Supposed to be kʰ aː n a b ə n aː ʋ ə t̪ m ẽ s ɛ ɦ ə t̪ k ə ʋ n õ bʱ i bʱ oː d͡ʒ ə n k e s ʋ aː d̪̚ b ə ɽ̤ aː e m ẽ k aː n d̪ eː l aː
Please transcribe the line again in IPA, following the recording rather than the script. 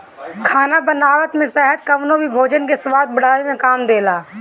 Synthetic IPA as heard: kʰ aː n a b ə n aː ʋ ə t̪ m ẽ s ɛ ɦ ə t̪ k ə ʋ n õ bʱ i bʱ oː d͡ʒ ə n k e s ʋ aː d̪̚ b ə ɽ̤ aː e m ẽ k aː m d̪ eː l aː